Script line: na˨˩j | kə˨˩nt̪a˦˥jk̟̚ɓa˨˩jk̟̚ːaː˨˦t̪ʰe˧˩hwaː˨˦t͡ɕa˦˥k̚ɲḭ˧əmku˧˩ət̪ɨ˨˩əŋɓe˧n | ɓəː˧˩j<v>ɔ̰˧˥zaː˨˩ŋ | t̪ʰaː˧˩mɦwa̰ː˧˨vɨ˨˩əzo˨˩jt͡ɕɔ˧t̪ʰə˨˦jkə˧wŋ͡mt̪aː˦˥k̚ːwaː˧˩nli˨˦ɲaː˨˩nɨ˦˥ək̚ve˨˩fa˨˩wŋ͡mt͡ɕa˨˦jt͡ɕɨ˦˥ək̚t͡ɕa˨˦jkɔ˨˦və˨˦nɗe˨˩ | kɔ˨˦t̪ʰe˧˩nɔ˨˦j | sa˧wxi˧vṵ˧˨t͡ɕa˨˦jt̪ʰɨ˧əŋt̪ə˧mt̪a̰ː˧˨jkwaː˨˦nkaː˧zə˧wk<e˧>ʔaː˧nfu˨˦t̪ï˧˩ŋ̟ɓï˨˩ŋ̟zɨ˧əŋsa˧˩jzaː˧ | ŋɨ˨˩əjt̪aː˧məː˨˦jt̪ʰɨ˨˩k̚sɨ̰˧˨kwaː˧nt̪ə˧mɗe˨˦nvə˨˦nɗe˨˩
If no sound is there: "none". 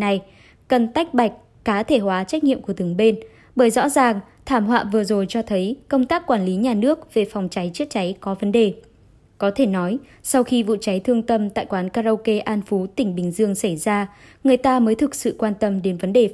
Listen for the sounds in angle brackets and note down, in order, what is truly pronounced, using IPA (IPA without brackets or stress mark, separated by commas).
z, e˧